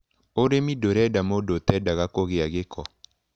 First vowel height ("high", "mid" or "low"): mid